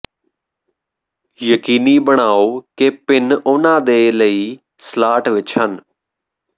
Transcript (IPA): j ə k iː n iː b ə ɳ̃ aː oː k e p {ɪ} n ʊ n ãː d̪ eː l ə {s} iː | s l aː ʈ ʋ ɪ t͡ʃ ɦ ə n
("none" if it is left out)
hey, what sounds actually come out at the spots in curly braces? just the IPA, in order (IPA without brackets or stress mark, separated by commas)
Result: ɪ, none